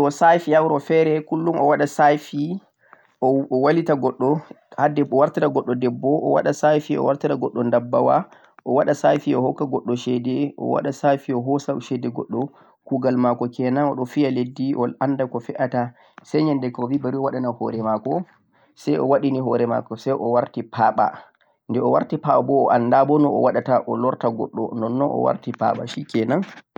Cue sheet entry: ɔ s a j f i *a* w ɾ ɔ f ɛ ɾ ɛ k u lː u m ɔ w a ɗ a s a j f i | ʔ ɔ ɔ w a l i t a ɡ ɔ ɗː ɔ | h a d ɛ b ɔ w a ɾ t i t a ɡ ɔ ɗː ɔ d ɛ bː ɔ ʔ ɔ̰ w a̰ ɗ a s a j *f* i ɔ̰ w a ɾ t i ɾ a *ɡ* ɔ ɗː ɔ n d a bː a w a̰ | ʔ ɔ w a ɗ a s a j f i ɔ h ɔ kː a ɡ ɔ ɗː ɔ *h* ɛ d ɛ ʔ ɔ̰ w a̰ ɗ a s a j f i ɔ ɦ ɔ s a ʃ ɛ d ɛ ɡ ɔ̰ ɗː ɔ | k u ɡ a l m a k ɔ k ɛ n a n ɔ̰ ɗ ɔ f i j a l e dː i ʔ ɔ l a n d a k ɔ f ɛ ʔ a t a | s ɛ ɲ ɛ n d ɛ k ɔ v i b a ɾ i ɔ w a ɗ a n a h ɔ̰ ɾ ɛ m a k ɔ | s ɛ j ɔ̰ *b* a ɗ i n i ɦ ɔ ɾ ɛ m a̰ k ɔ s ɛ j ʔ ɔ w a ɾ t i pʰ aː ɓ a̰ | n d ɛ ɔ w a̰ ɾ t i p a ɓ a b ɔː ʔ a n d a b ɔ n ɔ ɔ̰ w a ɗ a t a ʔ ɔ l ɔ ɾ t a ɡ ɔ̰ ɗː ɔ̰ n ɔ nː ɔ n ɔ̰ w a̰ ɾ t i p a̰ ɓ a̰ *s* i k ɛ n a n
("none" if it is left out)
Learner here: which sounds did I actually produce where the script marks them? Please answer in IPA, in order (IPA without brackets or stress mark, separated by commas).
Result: a, f, ɡ, ʃ, w, ʃ